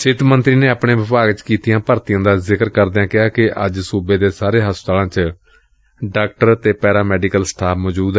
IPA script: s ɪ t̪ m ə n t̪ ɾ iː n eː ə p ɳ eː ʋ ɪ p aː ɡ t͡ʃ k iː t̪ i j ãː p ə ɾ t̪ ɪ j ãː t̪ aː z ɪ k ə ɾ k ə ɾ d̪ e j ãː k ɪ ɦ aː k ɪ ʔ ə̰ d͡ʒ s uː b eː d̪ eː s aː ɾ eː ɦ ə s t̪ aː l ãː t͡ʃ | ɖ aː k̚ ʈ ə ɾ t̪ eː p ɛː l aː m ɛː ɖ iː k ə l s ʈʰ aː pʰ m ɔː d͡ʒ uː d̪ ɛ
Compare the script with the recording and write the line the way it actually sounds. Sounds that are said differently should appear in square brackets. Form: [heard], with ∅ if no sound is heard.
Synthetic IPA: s ɪ t̪ m ə n t̪ ɾ iː n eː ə p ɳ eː ʋ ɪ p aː ɡ t͡ʃ k iː t̪ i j ãː p ə ɾ t̪ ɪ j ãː [d̪] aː z ɪ k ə ɾ k ə ɾ d̪ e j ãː k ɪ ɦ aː k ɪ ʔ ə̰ d͡ʒ s uː b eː d̪ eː s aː ɾ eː ɦ ə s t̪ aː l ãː t͡ʃ | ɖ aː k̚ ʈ ə ɾ t̪ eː p ɛː [ɾ] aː m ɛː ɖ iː k ə l s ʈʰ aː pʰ m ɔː d͡ʒ uː d̪ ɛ